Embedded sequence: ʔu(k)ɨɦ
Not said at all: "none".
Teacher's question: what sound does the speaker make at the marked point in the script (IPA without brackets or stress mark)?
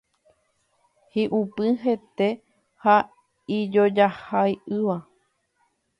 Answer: p